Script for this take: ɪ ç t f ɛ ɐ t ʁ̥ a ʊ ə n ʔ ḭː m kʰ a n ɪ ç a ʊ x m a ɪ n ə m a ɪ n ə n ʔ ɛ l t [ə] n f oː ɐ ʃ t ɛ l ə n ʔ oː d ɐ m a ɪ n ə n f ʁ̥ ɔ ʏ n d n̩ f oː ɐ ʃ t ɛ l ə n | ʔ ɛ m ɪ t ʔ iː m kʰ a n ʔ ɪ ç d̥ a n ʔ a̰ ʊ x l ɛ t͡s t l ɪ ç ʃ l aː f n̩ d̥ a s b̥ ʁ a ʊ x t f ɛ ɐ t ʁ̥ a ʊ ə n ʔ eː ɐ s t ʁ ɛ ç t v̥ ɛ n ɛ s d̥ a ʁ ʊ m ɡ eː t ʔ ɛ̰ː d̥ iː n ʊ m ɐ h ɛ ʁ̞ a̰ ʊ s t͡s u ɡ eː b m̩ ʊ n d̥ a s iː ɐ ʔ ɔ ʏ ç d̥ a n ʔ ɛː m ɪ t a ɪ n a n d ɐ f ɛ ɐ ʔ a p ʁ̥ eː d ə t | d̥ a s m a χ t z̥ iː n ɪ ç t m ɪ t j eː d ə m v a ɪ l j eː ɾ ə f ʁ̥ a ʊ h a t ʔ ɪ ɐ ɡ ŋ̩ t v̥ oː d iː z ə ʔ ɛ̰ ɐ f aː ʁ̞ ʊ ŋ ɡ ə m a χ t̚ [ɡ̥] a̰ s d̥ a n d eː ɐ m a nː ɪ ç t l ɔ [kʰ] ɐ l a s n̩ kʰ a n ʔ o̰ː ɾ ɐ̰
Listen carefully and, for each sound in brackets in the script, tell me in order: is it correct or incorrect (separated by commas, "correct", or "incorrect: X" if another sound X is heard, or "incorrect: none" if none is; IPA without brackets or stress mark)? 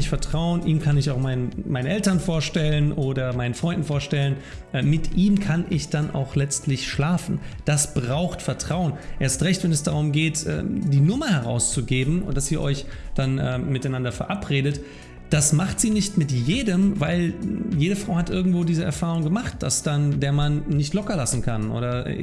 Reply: incorrect: ɐ, incorrect: d̥, incorrect: k